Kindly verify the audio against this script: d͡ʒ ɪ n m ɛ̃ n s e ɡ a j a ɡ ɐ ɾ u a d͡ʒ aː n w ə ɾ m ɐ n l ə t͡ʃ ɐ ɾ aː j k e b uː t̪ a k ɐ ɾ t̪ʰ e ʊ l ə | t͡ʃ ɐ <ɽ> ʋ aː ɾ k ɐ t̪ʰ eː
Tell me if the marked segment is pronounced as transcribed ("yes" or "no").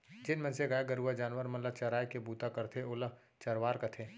no